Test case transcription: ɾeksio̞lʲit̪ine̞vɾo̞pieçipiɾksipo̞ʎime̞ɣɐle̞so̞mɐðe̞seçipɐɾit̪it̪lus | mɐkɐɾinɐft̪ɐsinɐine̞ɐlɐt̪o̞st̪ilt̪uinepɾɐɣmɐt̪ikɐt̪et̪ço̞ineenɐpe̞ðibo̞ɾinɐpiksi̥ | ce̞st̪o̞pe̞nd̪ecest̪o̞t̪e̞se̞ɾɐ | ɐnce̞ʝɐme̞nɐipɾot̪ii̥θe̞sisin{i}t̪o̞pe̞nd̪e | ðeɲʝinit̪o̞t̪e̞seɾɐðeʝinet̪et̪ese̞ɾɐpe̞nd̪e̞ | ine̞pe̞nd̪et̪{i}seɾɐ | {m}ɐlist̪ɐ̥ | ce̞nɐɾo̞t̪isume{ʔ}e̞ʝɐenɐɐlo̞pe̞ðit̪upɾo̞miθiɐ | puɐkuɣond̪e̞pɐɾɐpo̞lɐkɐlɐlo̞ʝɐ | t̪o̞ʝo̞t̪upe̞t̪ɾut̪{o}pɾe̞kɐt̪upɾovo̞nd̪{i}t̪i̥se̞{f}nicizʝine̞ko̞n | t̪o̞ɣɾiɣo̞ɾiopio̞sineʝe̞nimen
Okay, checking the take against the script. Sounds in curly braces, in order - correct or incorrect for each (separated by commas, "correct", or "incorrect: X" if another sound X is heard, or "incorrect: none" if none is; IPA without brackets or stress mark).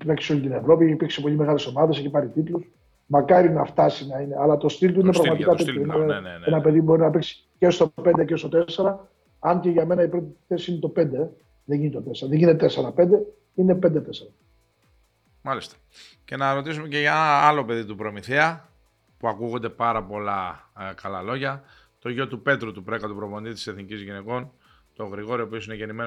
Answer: incorrect: e, incorrect: e, correct, incorrect: c, incorrect: u, correct, incorrect: θ